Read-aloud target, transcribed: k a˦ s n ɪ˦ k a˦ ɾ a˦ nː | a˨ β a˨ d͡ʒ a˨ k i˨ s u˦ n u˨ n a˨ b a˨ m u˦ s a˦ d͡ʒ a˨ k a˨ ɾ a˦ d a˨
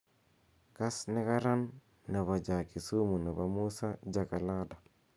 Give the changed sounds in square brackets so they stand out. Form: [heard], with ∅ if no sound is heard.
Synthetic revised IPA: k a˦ s n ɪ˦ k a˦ ɾ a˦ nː | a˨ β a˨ d͡ʒ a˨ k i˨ s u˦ [m] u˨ n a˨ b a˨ m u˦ s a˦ d͡ʒ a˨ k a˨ [l] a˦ d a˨